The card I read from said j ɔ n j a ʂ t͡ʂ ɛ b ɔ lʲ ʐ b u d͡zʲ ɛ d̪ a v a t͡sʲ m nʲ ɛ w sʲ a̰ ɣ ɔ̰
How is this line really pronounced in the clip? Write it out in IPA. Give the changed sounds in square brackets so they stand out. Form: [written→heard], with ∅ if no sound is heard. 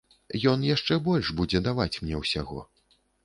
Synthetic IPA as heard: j ɔ n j a ʂ t͡ʂ ɛ b ɔ lʲ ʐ b u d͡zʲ ɛ d̪ a v a t͡sʲ m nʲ ɛ w sʲ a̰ ɣ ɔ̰